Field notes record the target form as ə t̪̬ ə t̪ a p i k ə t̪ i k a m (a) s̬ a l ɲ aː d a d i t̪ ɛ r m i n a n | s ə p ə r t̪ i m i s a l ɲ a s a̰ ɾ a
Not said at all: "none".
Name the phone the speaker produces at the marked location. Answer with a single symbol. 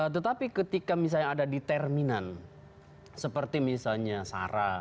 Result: i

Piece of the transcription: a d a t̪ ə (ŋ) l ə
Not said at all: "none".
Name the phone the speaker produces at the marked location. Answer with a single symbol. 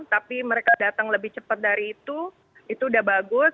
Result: ŋ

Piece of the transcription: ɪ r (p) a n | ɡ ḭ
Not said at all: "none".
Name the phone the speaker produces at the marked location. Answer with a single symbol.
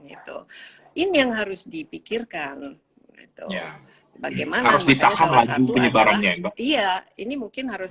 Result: k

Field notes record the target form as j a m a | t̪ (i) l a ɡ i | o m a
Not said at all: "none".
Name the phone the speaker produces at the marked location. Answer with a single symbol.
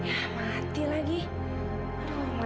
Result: i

